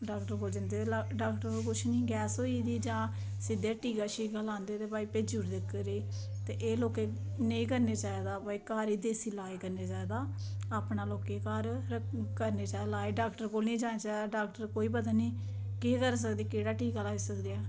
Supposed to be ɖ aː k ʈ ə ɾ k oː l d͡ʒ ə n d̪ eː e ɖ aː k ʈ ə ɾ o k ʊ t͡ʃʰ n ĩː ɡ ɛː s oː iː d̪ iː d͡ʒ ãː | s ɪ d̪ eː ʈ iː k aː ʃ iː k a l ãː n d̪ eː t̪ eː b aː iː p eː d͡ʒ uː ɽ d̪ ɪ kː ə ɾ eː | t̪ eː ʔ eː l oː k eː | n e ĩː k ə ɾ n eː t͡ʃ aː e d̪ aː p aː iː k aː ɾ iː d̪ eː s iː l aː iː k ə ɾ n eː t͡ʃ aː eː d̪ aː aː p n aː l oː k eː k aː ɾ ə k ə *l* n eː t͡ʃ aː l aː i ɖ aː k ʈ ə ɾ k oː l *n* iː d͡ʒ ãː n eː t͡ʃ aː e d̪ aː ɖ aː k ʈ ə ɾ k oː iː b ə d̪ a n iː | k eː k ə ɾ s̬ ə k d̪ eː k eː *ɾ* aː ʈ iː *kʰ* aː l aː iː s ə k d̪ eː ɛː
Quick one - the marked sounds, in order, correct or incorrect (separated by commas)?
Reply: incorrect, correct, incorrect, incorrect